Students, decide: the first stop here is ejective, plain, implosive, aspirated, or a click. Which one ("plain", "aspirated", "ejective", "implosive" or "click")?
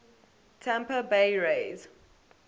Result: aspirated